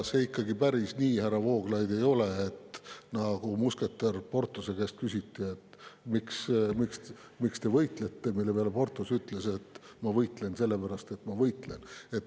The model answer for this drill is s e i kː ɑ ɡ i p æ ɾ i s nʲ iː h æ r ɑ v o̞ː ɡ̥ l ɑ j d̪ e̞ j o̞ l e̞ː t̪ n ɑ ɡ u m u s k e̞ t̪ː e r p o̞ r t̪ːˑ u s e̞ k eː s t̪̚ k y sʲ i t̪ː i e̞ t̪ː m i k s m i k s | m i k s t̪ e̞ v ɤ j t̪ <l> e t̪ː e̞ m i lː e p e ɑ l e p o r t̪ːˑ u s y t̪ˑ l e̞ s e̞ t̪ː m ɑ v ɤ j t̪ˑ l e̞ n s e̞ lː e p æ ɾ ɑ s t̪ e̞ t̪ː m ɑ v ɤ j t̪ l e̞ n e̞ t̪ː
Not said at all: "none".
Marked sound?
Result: l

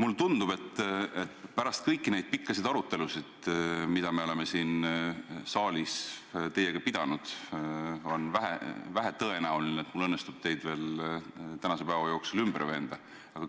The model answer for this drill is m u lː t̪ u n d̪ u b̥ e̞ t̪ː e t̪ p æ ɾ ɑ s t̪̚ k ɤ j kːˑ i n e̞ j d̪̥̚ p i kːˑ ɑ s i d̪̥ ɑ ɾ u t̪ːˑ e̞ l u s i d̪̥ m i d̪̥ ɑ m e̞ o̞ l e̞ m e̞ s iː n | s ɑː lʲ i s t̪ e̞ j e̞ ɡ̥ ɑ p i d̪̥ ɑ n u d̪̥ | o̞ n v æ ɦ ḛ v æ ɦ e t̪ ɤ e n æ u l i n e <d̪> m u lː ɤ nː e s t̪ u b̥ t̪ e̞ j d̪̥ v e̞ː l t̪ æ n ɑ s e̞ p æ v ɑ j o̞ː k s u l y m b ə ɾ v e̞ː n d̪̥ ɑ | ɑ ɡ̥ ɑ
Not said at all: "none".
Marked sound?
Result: t̪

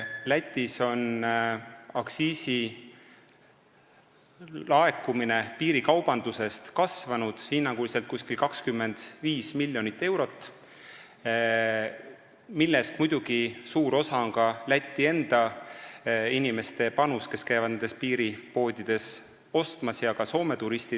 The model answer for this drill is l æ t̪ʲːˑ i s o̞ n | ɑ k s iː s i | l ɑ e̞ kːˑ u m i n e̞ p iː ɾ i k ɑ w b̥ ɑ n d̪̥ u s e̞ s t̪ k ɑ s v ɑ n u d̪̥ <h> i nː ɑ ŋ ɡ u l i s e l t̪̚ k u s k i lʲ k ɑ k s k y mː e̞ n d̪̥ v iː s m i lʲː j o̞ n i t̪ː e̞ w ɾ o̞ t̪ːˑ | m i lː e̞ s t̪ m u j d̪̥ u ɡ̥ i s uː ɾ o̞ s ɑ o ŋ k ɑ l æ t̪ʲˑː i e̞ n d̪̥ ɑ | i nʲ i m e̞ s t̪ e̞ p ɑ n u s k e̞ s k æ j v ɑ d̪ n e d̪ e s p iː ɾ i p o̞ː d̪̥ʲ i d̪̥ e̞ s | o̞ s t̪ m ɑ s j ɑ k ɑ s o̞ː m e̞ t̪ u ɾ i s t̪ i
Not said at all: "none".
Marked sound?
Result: h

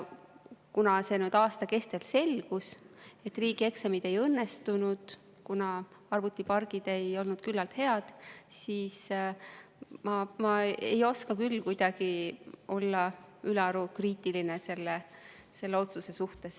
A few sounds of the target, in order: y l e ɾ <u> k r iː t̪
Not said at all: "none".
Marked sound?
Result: u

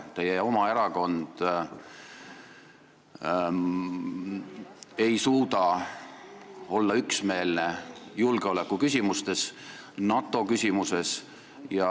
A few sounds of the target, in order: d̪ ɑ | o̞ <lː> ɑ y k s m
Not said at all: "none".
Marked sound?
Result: lː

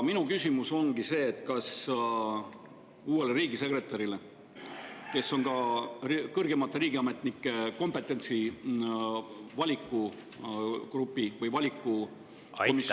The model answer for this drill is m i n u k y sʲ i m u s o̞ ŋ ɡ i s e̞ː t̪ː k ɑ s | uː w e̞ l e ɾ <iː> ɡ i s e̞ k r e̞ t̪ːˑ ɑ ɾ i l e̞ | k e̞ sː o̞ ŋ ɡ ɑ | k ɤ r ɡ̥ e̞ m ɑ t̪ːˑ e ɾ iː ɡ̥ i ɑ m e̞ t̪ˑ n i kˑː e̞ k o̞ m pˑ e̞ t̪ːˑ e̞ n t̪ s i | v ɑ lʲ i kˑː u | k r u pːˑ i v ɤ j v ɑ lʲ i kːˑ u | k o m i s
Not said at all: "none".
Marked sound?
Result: iː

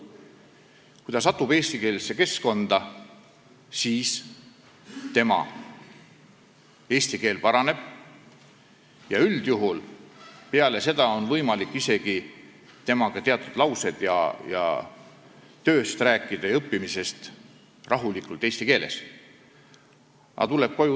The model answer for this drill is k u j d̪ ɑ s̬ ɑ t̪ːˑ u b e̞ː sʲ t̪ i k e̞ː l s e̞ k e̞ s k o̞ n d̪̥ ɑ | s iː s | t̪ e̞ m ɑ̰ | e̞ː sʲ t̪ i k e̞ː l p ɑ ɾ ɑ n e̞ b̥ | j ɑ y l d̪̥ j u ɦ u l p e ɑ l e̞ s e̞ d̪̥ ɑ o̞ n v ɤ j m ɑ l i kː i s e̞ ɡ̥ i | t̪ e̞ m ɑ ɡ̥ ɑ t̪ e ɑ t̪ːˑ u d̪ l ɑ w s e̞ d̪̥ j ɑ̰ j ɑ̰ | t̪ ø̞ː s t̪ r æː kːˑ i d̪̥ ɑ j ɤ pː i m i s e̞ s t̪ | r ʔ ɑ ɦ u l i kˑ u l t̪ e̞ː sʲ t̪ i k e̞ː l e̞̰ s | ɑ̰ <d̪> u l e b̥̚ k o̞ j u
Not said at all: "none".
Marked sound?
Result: t̪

